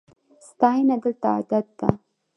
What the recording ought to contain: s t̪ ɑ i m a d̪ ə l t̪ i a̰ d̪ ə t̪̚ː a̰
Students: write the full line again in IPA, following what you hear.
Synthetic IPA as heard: s t̪ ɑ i n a d̪ ə l t̪ a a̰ d̪ a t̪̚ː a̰